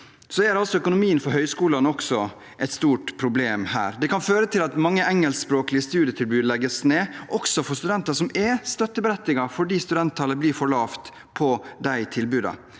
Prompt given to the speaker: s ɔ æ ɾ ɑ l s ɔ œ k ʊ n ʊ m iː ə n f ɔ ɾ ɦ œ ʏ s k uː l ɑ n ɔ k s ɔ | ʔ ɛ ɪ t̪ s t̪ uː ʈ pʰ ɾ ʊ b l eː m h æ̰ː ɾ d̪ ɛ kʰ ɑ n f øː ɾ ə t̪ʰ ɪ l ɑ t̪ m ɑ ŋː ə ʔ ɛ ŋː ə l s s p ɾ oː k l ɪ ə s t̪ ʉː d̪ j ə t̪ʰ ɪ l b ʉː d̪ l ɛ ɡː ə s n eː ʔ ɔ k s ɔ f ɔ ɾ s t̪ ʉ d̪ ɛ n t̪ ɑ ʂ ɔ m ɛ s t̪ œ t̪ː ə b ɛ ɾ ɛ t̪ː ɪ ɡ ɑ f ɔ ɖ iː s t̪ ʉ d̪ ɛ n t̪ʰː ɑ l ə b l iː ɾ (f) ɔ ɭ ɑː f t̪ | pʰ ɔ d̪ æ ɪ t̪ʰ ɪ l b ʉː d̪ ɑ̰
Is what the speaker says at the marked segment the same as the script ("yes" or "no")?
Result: yes